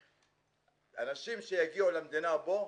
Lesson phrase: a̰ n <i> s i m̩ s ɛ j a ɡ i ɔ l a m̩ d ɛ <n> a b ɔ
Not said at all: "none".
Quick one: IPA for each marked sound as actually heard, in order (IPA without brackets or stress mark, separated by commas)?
a, n